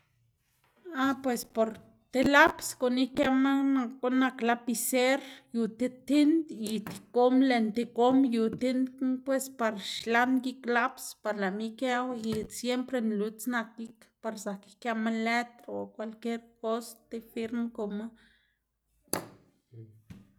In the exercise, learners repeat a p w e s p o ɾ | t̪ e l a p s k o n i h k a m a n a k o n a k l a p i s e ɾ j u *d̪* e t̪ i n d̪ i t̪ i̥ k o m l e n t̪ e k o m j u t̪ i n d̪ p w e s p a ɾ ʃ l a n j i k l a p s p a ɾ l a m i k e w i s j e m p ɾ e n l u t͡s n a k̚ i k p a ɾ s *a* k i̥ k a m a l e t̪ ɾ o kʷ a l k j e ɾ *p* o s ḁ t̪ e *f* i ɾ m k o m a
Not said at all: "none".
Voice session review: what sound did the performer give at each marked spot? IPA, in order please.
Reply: t̪, a, k, f

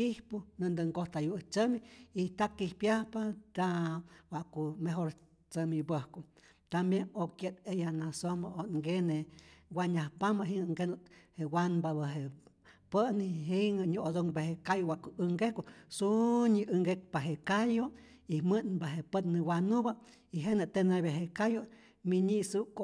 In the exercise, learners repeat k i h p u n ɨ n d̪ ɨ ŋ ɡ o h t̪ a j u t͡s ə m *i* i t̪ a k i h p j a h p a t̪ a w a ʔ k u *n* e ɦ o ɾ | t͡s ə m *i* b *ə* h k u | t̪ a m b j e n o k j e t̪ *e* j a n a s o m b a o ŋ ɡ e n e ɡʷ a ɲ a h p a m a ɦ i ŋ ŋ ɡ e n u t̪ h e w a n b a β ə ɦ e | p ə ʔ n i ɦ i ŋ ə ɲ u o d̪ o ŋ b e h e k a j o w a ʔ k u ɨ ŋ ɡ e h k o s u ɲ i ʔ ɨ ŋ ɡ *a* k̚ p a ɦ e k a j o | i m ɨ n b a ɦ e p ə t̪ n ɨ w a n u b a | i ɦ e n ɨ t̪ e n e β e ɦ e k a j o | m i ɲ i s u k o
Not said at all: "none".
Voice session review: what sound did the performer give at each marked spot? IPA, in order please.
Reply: i, m, i, ə, e, e

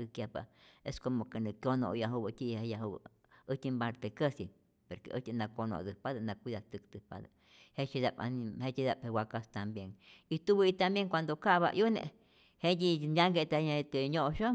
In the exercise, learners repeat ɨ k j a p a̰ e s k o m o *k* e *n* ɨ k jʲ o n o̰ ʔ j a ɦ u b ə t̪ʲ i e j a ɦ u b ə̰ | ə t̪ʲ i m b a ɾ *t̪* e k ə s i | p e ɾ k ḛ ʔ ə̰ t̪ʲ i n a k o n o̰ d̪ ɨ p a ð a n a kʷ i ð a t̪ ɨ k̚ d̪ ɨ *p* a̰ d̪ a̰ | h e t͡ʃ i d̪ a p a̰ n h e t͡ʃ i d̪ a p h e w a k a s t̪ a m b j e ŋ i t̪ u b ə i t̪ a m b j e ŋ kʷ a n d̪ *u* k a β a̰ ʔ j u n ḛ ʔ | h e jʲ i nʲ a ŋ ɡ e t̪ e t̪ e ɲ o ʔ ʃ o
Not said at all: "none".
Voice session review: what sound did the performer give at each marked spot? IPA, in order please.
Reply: k, n, t̪, p, o

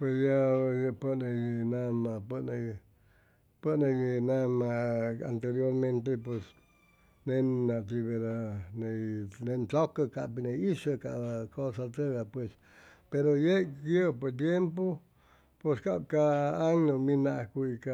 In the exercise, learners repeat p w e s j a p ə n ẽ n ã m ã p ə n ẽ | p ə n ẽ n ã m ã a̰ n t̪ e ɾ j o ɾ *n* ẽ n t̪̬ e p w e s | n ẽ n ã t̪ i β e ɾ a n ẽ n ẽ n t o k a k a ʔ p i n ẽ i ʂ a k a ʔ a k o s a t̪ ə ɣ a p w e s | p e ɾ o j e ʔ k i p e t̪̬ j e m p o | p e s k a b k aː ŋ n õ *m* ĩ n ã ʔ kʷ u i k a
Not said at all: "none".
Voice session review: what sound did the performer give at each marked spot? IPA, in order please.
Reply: m, m

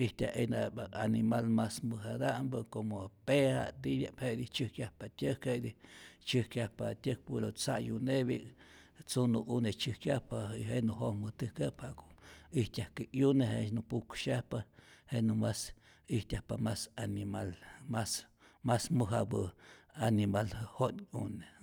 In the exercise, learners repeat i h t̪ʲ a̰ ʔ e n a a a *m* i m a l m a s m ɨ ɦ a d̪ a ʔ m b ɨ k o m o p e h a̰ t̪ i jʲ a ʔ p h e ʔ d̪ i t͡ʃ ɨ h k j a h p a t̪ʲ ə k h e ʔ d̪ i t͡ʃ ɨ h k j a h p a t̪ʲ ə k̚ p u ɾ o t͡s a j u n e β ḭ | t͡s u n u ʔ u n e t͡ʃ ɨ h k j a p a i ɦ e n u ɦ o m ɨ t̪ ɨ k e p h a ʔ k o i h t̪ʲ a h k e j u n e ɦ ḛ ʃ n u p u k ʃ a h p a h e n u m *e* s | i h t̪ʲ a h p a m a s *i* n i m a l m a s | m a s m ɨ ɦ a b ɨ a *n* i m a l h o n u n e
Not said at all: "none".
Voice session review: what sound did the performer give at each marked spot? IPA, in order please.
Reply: n, a, a, n

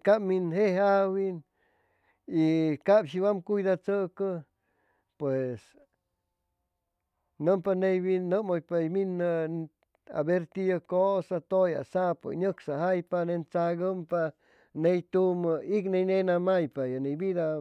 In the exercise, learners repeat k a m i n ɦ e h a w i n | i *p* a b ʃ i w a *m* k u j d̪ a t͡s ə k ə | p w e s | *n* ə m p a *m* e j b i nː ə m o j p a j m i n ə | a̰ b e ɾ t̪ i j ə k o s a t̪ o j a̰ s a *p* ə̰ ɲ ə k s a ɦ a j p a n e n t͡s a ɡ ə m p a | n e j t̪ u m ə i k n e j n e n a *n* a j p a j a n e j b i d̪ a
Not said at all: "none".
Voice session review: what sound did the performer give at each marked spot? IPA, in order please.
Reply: k, m, n, n, p, m

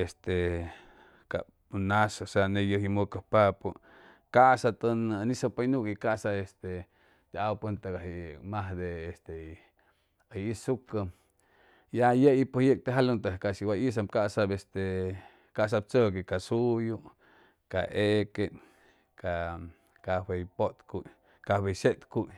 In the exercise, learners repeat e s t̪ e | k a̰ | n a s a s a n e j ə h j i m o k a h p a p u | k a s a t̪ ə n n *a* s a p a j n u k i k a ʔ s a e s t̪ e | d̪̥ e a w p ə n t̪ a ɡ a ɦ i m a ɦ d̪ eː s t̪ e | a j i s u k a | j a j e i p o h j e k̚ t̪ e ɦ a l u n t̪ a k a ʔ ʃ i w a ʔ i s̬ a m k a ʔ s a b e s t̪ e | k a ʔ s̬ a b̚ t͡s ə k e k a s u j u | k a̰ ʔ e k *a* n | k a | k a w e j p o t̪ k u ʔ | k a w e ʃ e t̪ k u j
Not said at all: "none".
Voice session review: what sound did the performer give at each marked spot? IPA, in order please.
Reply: i, e

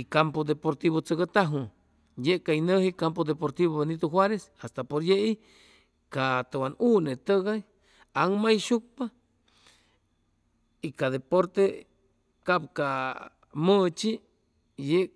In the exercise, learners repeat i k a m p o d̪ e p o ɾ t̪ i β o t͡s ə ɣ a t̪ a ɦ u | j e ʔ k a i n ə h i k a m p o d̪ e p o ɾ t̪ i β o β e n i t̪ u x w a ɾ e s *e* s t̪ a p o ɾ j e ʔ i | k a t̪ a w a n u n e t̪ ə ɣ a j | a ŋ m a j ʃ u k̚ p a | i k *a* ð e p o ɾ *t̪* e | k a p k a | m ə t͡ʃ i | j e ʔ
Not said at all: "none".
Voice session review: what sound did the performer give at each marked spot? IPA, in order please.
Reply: a, a, t̪

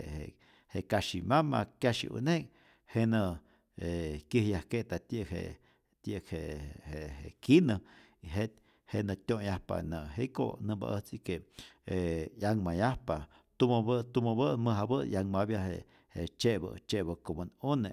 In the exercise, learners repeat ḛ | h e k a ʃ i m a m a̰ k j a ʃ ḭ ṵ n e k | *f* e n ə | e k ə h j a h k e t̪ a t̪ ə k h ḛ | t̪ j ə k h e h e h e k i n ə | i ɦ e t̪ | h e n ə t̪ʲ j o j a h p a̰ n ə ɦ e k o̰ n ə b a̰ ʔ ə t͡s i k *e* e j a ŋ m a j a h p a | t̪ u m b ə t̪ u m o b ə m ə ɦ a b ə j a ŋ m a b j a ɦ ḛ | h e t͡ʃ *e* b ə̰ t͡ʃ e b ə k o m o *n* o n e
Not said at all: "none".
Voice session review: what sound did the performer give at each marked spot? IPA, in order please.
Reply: h, e, e, n

